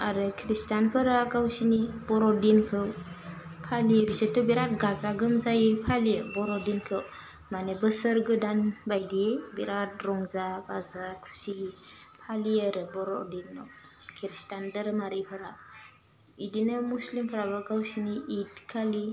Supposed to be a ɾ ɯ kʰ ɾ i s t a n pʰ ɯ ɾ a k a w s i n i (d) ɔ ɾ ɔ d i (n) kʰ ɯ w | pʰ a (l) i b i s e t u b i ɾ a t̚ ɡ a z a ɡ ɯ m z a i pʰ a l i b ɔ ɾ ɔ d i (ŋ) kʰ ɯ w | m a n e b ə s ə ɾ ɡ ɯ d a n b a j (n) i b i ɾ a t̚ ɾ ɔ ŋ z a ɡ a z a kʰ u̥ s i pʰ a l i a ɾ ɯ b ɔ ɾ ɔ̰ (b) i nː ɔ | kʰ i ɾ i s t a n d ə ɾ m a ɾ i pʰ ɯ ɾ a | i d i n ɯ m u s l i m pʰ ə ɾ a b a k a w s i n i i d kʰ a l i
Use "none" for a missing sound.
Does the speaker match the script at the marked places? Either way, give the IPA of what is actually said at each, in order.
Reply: b, n, l, n, d, d

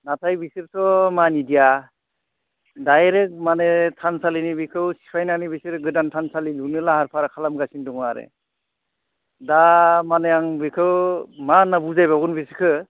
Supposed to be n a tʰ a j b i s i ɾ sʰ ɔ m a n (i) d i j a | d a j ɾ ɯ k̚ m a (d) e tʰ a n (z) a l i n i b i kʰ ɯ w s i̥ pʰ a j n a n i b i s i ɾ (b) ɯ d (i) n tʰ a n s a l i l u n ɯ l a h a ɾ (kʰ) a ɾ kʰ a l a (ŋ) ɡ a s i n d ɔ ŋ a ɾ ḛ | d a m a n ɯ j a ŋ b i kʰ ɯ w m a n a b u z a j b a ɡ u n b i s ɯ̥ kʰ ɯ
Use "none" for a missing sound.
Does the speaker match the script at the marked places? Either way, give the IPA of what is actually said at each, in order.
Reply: i, n, s, ɡ, a, pʰ, m

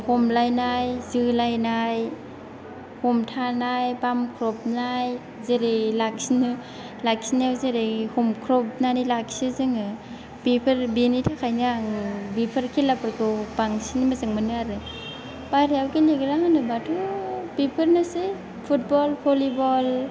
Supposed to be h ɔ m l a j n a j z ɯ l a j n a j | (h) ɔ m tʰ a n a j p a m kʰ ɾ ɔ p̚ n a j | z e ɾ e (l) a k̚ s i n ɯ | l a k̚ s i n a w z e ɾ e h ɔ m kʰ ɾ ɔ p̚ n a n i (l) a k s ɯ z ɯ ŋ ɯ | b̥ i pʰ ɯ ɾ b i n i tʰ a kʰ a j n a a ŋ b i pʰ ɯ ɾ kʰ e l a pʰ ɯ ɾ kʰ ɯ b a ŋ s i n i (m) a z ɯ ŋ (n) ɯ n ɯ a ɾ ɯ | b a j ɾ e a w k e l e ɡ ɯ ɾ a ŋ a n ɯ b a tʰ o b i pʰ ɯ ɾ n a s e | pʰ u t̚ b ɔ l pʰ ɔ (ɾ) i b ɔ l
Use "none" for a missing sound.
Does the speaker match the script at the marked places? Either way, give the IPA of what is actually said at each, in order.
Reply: h, l, l, m, m, l

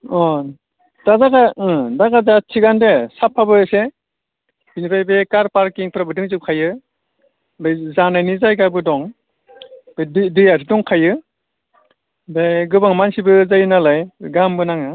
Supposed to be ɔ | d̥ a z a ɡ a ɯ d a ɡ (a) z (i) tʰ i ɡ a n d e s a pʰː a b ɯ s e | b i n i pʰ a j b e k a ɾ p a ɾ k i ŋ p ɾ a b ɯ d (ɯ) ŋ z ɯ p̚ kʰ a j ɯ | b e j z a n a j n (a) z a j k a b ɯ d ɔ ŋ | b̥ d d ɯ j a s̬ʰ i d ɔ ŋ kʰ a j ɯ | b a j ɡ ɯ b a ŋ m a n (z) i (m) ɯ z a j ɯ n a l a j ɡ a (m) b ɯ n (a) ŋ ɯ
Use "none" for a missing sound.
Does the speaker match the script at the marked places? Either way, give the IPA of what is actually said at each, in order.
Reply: a, a, ɯ, i, s, b, m, a

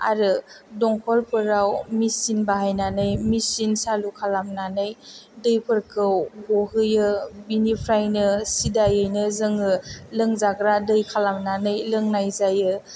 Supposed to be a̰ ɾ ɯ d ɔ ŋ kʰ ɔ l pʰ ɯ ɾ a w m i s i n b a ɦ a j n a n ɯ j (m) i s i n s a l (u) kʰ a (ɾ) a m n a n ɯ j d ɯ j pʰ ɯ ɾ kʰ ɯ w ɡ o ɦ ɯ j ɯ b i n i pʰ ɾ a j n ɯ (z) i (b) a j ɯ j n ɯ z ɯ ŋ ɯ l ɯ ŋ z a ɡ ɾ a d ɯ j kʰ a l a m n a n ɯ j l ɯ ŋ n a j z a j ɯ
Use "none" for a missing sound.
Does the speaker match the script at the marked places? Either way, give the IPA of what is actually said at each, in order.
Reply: m, u, l, s, d

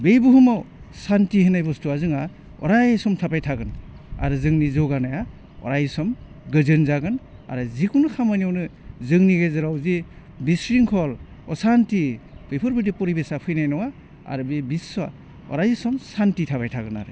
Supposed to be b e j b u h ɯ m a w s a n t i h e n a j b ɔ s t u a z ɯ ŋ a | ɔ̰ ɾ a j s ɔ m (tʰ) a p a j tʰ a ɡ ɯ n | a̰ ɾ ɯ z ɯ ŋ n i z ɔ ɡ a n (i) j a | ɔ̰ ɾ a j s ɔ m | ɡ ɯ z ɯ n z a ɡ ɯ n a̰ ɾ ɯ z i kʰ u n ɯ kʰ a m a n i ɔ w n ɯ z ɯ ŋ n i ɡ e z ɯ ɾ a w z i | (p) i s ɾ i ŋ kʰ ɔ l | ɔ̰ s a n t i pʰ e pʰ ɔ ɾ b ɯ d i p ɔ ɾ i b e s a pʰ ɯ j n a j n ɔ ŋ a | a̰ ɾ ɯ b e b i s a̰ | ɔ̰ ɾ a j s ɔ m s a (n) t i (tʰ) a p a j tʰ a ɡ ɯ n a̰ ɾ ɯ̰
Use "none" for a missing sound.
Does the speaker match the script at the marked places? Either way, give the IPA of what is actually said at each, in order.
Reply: tʰ, a, b, n, tʰ

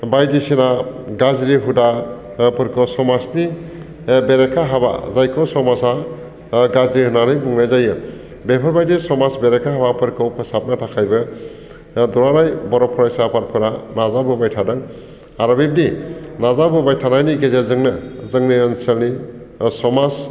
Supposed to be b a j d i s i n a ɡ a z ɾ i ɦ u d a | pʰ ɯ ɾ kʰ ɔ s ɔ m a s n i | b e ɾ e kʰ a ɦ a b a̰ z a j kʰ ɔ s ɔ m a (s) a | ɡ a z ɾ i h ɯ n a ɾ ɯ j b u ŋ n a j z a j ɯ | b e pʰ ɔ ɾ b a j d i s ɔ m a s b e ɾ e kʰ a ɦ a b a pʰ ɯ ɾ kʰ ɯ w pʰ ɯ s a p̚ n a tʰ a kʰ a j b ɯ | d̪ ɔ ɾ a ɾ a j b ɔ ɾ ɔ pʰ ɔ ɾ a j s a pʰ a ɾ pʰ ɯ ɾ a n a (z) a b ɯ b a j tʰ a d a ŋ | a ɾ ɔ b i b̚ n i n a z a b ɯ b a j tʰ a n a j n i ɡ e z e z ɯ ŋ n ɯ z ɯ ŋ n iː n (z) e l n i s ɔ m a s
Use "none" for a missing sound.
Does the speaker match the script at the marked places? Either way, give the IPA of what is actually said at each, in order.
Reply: s, z, s

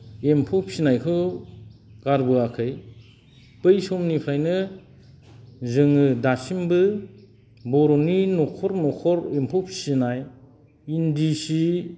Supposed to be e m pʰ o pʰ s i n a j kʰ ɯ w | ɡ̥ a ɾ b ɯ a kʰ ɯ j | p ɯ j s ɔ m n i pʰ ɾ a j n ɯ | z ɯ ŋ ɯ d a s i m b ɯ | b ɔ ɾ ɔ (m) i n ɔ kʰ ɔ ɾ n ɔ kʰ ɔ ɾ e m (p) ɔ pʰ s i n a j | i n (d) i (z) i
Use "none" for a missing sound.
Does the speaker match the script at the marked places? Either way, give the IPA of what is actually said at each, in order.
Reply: n, pʰ, d, s

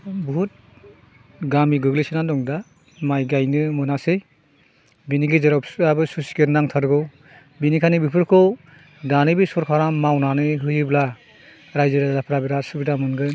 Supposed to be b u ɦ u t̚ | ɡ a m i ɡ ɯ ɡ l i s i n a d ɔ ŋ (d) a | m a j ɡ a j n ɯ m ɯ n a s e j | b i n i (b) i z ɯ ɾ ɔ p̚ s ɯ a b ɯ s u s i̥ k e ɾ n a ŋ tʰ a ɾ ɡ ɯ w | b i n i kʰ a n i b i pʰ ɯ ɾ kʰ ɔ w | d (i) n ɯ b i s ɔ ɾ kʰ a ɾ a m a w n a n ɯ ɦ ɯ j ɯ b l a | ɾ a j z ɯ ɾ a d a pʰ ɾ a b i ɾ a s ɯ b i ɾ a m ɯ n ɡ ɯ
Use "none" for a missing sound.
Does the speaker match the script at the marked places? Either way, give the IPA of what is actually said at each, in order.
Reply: d, ɡ, a

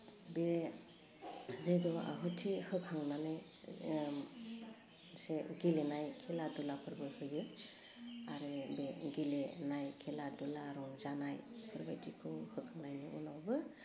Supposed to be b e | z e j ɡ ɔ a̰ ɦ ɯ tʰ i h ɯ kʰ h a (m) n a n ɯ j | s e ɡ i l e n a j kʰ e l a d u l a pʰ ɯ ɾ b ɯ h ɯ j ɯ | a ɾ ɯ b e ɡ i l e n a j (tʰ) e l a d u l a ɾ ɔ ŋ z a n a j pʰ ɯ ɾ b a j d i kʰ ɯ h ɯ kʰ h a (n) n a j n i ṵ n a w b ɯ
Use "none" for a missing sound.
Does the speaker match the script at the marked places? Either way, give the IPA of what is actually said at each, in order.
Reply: ŋ, kʰ, ŋ

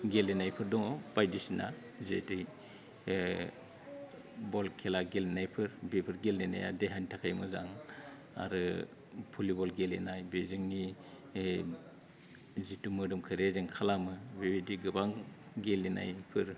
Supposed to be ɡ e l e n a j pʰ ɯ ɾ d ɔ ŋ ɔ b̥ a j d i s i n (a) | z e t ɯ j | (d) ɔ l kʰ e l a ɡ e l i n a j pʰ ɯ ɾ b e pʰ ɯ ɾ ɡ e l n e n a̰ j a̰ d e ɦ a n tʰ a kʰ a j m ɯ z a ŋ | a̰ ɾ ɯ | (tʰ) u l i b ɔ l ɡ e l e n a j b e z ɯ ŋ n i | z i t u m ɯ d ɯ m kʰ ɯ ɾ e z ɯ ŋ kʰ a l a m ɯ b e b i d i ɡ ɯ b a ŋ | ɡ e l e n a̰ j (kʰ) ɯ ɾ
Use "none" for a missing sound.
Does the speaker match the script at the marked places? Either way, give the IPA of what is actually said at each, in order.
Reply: a, b, pʰ, pʰ

